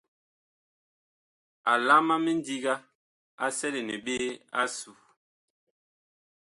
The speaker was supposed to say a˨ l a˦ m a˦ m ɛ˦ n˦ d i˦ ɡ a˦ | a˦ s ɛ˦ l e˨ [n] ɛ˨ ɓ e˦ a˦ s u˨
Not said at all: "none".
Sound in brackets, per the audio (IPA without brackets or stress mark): n